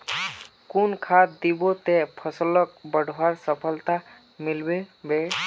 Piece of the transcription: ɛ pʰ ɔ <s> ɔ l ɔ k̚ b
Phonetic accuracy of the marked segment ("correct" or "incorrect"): correct